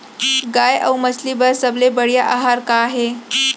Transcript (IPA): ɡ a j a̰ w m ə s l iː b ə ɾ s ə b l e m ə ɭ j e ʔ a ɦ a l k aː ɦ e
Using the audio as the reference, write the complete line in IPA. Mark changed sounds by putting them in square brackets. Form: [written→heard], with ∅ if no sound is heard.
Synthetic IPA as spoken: ɡ a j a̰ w m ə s l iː b ə ɾ s ə b l e [m→b] ə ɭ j [e→a] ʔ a ɦ a [l→ɾ] k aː ɦ e